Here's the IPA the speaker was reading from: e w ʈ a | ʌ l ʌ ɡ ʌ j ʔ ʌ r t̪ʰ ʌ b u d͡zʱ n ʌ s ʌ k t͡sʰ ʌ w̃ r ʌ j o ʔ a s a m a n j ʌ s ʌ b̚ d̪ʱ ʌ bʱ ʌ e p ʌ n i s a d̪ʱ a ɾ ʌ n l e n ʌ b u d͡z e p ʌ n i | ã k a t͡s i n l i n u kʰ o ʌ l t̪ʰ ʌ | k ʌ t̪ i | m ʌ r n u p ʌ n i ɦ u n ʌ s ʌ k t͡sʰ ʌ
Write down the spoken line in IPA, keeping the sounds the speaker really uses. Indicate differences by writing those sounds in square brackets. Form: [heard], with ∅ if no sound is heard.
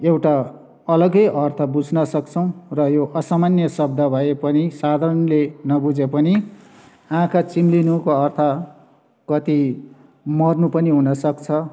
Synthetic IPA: e w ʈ a | ʌ l ʌ ɡ ʌ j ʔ ʌ r t̪ʰ ʌ b u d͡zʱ n ʌ s ʌ k t͡sʰ ʌ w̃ r ʌ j o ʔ [ʌ] s a m a n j ʌ s ʌ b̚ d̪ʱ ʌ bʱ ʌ e p ʌ n i s a d̪ʱ a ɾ ʌ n l e n ʌ b u d͡z e p ʌ n i | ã k a t͡s i [m] l i n u [k] o ʌ [r] t̪ʰ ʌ | k ʌ t̪ i | m ʌ r n u p ʌ n i ɦ u n ʌ s ʌ k t͡sʰ ʌ